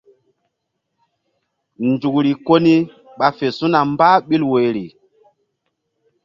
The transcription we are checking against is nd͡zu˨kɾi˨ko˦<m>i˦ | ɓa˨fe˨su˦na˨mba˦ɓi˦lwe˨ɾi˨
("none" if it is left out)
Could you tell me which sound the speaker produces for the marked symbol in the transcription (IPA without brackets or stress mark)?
n